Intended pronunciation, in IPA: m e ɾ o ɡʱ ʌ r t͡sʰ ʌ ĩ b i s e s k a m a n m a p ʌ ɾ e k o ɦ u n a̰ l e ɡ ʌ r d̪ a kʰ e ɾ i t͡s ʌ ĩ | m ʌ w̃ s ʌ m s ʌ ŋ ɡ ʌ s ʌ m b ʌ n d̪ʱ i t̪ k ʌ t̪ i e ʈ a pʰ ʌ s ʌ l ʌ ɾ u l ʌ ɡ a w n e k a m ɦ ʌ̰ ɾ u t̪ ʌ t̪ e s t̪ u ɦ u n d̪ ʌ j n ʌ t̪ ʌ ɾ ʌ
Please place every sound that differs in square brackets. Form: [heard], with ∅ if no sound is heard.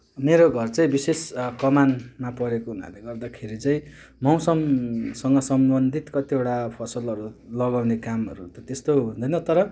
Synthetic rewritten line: m e ɾ o ɡʱ ʌ r [t͡s] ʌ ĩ b i s e s k [ʌ] m a n m a p ʌ ɾ e k o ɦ u n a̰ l e ɡ ʌ r d̪ a kʰ e ɾ i t͡s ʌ ĩ | m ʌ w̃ s ʌ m s ʌ ŋ ɡ ʌ s ʌ m b ʌ n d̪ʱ i t̪ k ʌ t̪ i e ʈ a pʰ ʌ s ʌ l ʌ ɾ u l ʌ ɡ a w n e k a m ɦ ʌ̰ ɾ u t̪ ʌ t̪ e s t̪ [o] ɦ u n d̪ ʌ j n ʌ t̪ ʌ ɾ ʌ